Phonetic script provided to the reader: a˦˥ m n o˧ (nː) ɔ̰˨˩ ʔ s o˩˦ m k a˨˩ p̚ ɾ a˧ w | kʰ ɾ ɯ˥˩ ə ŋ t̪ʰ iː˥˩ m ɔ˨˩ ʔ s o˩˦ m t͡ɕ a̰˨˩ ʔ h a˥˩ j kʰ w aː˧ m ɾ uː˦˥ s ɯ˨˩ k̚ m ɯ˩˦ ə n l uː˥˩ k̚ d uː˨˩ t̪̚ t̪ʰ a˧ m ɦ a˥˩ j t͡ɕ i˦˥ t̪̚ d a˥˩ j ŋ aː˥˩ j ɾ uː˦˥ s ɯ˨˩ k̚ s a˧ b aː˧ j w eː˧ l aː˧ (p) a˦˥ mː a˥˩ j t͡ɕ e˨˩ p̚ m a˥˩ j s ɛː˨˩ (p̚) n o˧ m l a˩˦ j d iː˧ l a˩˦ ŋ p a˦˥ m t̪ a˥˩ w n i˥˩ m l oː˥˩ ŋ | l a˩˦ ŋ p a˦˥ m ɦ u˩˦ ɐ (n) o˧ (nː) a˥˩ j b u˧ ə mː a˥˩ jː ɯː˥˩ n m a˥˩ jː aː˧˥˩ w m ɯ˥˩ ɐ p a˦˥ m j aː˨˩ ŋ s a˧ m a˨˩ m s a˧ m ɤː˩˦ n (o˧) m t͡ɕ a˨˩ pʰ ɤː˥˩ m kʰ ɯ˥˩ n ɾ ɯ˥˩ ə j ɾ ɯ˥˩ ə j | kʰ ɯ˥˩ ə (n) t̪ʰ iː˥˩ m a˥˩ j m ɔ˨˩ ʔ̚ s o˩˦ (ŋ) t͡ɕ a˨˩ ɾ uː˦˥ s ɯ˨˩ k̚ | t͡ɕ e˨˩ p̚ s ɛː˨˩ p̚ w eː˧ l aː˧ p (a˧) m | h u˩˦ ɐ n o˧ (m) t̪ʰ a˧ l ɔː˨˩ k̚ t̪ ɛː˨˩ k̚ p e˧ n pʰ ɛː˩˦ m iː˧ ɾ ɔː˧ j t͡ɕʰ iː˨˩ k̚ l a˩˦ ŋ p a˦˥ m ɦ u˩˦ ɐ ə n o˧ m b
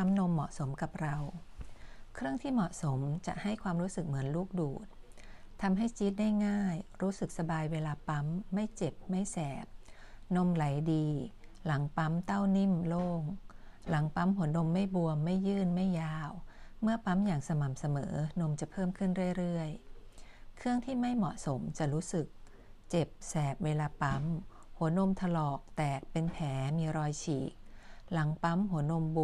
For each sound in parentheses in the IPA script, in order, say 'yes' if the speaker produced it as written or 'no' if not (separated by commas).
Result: no, yes, yes, yes, no, yes, no, no, no, yes